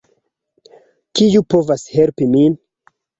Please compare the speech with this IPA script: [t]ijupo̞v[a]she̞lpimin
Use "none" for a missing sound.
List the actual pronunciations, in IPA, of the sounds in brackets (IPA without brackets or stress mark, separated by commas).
k, a